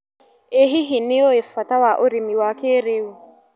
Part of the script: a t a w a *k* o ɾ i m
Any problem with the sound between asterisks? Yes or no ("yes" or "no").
yes